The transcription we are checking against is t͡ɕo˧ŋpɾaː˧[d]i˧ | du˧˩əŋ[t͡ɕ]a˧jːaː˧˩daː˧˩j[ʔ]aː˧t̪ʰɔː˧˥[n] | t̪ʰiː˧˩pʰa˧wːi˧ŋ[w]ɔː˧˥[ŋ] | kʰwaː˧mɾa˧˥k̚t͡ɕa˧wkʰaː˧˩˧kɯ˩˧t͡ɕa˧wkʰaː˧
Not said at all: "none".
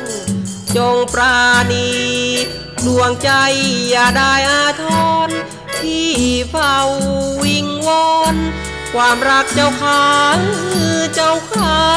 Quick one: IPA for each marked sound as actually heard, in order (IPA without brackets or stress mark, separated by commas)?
n, t͡ɕ, ʔ, n, w, n